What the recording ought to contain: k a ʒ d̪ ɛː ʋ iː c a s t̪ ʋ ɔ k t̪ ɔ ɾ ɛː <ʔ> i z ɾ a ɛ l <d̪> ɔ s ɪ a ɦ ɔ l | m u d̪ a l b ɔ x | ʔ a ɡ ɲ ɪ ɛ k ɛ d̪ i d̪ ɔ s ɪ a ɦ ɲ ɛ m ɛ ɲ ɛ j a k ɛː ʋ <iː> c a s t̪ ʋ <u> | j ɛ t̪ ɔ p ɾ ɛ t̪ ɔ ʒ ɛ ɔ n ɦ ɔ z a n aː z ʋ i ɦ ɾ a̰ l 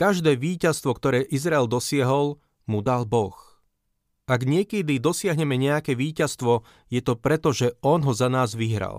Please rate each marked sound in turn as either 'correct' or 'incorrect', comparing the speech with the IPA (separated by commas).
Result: correct, correct, correct, incorrect